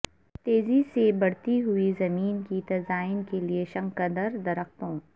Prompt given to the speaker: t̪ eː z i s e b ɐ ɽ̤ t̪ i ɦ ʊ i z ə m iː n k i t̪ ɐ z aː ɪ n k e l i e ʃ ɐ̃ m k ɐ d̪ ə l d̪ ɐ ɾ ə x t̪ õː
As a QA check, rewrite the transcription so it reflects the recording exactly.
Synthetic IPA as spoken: t̪ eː z i s e b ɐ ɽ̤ t̪ i ɦ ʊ i z ɐ m iː n k i t̪ ɐ z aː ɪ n k e l i e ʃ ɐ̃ ŋ k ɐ d̪ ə ɾ d̪ ɐ ɾ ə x t̪ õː